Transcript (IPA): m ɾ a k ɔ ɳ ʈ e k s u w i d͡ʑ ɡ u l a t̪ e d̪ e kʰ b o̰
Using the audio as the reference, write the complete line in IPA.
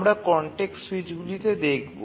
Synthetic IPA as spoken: m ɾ a k ɔ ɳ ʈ e k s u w i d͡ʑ ɡ u l i t̪ e d̪ e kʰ b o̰